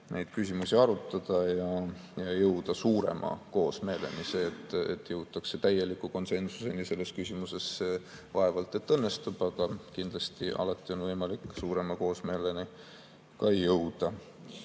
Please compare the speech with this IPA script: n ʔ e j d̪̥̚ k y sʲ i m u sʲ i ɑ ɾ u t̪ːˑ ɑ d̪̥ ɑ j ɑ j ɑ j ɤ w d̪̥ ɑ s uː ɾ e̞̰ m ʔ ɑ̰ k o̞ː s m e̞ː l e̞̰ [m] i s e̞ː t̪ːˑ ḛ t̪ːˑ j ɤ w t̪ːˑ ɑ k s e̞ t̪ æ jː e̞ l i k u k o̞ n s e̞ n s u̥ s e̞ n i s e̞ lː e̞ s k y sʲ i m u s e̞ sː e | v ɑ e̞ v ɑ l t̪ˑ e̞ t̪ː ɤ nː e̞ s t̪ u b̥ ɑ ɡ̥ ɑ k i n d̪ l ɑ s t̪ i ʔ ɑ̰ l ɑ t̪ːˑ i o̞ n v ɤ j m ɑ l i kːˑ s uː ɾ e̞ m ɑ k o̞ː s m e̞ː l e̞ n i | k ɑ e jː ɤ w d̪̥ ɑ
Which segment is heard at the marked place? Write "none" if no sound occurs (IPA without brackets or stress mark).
n